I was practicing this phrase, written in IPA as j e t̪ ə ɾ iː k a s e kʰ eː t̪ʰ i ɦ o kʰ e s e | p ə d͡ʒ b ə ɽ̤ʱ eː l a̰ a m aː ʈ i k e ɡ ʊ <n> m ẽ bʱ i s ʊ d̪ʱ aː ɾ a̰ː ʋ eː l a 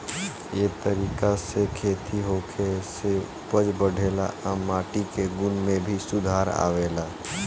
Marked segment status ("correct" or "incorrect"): correct